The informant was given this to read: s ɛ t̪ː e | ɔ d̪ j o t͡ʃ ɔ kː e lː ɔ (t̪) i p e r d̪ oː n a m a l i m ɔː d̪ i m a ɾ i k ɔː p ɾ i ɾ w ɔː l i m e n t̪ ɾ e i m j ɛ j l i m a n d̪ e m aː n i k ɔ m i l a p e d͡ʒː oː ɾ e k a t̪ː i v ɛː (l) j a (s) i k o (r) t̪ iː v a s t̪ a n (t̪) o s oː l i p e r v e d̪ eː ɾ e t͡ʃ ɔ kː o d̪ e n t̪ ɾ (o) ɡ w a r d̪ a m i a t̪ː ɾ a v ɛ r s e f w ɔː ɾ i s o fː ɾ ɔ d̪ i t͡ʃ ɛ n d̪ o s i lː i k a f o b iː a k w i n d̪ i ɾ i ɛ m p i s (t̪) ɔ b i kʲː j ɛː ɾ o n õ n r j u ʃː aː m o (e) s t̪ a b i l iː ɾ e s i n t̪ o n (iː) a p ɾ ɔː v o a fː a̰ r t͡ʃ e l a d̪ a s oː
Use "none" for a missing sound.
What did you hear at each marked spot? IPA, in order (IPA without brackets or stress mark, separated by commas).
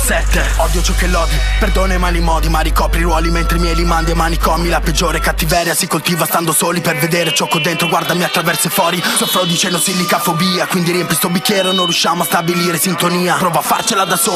d̪, ɾ, s, l, d̪, o, t̪, a, iː